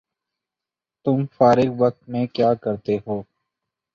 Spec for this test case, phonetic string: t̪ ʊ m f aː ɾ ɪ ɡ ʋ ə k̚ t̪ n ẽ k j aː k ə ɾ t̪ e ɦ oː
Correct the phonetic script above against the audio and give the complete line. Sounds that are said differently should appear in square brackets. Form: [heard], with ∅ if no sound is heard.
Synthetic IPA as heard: t̪ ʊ m f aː ɾ ɪ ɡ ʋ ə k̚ t̪ [m] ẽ k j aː k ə ɾ t̪ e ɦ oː